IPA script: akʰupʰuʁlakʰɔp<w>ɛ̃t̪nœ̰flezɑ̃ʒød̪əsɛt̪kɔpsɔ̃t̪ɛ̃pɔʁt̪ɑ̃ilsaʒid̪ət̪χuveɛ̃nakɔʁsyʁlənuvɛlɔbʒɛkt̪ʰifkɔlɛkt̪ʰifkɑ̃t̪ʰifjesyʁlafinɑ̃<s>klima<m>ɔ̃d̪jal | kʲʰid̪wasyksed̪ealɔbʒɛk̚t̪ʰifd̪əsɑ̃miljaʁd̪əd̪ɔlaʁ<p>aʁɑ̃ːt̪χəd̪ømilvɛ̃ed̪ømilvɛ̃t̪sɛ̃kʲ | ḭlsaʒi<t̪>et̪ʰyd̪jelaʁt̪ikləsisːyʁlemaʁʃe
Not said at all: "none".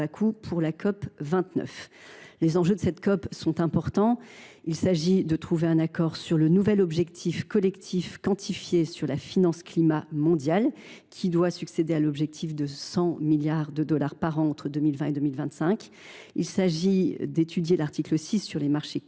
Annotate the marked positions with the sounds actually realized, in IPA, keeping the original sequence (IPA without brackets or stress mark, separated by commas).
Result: v, s, m, p, d̪